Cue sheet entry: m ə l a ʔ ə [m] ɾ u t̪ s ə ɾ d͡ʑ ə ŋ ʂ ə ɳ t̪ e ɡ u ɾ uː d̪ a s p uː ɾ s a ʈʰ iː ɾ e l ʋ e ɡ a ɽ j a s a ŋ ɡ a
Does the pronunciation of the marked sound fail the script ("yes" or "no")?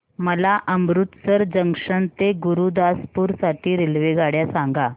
no